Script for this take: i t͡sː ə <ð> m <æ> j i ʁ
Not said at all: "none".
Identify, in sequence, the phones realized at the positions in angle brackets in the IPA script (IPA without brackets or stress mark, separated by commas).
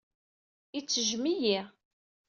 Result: ʒ, i